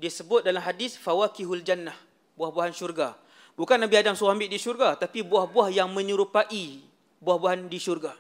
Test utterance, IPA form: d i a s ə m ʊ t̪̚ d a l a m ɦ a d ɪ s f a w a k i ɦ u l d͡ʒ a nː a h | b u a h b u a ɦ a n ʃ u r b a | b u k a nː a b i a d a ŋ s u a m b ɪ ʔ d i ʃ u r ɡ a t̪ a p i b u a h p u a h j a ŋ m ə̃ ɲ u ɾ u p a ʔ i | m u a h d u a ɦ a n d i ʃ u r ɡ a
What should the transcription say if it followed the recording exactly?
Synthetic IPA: d i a s ə b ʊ t̪̚ d a l a m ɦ a d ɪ s f a w a k i ɦ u l d͡ʒ a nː a h | b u a h b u a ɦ a n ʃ u r ɡ a | b u k a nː a b i a d a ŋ s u a m b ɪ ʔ d i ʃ u r ɡ a t̪ a p i b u a h b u a h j a ŋ m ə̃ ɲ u ɾ u p a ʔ i | b u a h b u a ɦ a n d i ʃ u r ɡ a